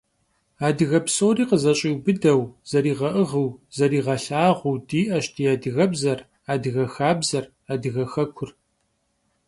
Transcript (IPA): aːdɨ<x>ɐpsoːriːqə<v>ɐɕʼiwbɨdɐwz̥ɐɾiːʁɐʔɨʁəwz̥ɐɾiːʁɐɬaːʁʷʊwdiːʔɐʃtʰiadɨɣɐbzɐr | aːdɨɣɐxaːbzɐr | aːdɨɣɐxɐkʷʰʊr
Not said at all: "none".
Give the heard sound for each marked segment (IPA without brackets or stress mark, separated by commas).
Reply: ɣ, z